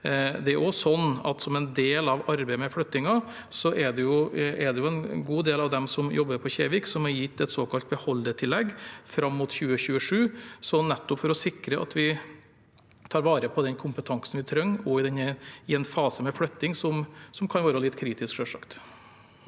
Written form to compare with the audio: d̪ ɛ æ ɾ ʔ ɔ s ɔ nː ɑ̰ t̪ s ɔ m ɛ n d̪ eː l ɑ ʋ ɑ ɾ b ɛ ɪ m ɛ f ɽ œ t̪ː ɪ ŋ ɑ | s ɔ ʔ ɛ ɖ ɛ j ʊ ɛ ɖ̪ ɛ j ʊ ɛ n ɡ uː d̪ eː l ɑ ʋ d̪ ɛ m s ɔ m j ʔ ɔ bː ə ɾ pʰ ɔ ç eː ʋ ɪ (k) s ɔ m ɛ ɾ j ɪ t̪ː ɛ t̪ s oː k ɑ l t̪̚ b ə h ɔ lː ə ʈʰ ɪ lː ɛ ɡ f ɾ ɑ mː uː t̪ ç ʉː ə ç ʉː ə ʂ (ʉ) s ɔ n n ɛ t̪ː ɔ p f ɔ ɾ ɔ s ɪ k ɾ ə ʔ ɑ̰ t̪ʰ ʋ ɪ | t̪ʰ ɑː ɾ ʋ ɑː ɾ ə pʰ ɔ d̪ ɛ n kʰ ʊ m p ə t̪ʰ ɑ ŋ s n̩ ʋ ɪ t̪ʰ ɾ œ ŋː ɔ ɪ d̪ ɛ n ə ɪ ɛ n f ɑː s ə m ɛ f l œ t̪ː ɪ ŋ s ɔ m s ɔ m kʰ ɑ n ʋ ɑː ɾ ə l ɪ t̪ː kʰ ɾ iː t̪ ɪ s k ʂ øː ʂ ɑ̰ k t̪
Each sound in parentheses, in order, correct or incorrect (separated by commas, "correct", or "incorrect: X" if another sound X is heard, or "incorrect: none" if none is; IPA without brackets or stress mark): correct, incorrect: ʉː